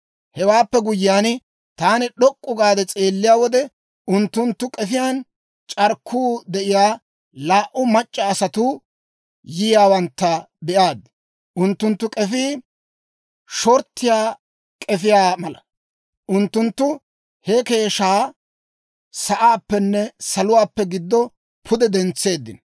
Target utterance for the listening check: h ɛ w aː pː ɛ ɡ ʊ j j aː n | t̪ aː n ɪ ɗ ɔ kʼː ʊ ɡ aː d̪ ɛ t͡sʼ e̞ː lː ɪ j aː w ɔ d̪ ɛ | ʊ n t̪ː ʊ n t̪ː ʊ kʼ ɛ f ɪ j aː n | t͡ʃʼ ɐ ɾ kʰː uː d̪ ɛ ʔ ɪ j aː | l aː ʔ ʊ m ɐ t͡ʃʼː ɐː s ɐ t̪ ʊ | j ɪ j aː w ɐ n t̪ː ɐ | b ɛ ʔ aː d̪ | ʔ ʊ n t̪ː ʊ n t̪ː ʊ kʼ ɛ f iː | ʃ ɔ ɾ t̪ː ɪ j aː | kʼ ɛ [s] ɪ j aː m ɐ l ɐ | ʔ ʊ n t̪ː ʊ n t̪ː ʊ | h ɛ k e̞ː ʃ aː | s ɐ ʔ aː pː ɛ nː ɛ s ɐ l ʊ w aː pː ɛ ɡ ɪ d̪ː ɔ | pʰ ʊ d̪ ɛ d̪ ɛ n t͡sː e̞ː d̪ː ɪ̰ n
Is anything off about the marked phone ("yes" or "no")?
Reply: yes